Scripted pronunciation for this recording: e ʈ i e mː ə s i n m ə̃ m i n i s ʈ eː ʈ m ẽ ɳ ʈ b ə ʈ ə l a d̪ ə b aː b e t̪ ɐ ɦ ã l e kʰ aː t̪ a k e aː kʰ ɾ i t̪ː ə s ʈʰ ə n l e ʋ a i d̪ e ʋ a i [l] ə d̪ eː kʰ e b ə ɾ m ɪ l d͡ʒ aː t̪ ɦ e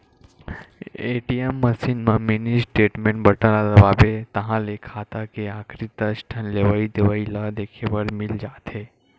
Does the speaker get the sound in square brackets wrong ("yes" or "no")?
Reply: no